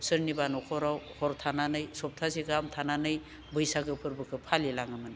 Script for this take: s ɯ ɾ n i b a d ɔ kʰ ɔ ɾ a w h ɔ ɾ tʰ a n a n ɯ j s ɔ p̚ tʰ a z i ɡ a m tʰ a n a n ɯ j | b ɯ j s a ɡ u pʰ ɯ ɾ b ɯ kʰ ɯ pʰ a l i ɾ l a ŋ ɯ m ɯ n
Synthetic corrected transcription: s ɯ ɾ n i b a n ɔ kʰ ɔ ɾ a w h ɔ ɾ tʰ a n a n ɯ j s ɔ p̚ tʰ a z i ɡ a m tʰ a n a n ɯ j | b ɯ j s a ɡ ɯ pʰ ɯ ɾ b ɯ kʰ ɯ pʰ a l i l a ŋ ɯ m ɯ n